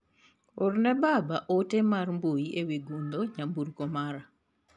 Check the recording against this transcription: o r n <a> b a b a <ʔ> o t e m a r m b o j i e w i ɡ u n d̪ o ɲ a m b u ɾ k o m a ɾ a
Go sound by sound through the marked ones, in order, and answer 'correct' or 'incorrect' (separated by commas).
incorrect, correct